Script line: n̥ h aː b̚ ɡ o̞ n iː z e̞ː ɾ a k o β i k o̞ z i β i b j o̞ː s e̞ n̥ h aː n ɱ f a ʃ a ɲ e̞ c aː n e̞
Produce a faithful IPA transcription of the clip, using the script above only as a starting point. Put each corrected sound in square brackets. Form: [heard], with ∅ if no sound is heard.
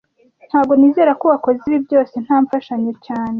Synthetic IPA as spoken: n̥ h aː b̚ ɡ o̞ n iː z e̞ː ɾ a k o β [a] k o̞ z i β i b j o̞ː s e̞ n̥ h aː [∅] ɱ f a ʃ a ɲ e̞ c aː n e̞